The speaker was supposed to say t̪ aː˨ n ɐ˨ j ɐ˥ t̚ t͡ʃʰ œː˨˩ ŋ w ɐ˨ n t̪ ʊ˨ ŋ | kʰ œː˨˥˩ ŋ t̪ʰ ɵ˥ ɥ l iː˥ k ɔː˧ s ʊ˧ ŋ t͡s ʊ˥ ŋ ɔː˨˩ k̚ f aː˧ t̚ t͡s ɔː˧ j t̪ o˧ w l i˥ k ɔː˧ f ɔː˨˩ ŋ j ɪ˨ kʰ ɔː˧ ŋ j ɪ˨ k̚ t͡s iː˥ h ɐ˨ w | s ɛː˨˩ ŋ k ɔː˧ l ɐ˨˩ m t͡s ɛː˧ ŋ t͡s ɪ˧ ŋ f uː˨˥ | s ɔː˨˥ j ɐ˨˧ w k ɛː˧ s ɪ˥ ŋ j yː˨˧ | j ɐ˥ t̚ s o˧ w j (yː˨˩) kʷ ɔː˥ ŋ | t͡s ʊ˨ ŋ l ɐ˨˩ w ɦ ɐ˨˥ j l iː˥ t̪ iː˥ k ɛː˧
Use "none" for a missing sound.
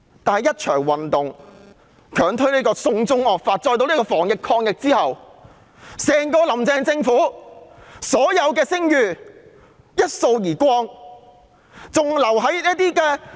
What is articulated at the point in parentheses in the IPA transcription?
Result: iː˨˩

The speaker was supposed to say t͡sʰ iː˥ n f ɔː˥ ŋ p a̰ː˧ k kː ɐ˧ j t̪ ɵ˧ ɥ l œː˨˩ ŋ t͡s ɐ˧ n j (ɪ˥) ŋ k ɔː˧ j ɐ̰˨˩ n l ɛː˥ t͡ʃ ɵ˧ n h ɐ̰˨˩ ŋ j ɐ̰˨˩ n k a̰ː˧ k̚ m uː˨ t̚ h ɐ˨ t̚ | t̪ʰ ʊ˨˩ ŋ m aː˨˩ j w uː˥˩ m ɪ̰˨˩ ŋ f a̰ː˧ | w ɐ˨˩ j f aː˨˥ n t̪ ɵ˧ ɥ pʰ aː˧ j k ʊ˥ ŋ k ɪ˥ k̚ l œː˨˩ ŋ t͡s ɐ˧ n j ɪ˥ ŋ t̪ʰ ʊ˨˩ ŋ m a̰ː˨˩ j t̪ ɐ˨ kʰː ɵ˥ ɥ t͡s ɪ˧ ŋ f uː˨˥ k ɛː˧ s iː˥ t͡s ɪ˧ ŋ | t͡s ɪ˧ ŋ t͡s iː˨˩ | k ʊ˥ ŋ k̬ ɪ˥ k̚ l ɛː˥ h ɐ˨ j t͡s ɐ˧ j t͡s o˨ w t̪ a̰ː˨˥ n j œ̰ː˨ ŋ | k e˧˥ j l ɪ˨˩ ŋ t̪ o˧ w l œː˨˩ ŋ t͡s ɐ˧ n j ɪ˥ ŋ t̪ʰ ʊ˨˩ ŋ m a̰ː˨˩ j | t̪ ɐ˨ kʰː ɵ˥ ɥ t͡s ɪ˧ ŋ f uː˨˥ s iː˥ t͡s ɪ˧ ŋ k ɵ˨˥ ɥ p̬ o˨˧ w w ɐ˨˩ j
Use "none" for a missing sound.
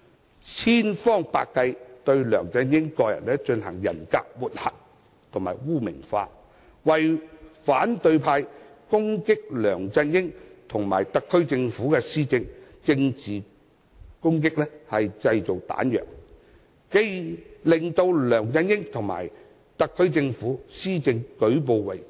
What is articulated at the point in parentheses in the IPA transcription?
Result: ɪ˥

